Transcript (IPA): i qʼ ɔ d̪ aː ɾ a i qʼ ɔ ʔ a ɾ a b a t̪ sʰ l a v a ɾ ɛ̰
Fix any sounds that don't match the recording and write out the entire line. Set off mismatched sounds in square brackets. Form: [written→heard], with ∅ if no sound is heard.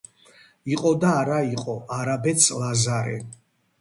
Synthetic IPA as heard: i qʼ ɔ d̪ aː ɾ a i qʼ ɔ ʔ a ɾ a b [a→ɛ] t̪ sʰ l a [v→z] a ɾ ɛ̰